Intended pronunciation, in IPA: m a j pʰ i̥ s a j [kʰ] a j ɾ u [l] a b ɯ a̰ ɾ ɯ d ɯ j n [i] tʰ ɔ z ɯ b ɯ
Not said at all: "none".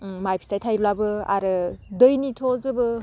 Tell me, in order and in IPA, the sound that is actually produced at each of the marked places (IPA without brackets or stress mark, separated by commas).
tʰ, l, i